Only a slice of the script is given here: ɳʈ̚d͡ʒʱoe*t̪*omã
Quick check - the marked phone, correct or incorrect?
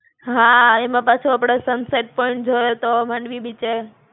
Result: correct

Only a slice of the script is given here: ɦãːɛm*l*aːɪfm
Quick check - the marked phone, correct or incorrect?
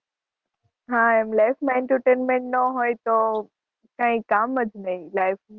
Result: correct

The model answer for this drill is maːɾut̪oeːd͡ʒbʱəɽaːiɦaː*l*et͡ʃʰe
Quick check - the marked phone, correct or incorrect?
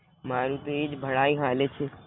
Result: correct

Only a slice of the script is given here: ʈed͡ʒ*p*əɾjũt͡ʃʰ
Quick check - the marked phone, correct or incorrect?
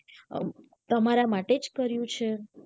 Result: incorrect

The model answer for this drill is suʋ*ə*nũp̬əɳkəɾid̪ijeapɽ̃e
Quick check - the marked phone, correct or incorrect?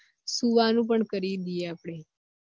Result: incorrect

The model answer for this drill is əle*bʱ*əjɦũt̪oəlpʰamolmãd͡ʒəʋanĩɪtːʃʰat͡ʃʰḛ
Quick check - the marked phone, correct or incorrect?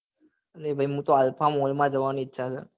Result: correct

